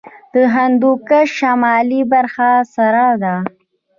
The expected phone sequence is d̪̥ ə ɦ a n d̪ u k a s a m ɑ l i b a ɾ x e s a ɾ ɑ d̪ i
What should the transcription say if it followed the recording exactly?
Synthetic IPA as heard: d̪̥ ə ɦ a n d̪ u k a ʃ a m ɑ l i b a ɾ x a s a ɾ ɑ d̪ a